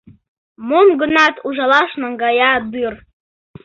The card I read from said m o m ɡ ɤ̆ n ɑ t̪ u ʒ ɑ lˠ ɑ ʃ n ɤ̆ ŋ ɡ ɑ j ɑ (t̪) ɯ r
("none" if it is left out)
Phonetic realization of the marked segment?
d̪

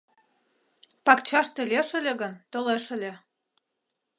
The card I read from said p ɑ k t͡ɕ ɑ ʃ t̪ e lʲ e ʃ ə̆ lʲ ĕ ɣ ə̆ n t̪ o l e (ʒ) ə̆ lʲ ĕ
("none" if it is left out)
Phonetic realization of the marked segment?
ʃ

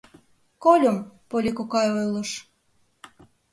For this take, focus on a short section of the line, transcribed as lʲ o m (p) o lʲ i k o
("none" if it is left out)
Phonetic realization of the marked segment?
p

